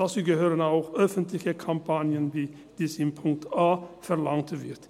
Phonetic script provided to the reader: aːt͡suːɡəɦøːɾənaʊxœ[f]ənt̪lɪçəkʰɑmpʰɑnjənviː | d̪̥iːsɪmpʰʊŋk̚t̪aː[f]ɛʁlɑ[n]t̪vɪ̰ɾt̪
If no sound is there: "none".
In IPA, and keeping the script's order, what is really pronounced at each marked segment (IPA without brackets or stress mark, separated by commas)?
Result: f, f, ŋ